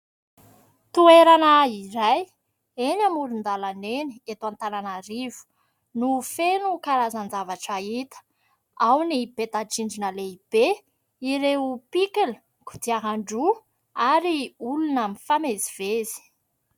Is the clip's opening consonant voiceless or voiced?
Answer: voiceless